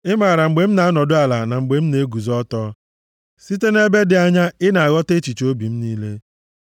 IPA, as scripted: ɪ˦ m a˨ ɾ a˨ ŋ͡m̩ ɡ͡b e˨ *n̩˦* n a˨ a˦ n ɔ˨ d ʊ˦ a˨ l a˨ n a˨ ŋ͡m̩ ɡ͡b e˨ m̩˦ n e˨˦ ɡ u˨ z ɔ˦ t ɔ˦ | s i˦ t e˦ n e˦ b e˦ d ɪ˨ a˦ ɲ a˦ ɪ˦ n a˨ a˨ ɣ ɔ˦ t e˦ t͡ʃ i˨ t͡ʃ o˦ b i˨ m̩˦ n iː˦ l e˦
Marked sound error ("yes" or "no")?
yes